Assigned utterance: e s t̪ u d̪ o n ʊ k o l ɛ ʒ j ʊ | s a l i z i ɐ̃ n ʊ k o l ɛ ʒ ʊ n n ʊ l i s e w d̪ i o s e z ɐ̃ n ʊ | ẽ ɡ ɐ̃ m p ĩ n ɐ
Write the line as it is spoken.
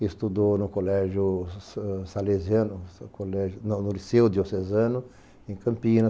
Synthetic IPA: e s t̪ u d̪ o n ʊ k o l ɛ ʒ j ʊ | s a l e z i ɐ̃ n ʊ k o l ɛ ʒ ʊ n n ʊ l i s e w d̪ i o s e z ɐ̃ n ʊ | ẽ k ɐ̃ m p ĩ n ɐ